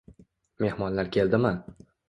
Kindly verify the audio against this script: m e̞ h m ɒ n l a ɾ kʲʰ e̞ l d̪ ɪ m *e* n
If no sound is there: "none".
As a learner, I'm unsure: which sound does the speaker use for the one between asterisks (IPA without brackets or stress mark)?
a